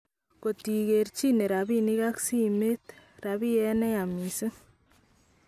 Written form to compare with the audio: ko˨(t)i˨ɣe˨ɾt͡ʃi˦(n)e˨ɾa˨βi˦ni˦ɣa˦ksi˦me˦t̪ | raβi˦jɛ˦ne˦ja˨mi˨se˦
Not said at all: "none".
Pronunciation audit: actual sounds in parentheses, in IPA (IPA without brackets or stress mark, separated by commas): t, n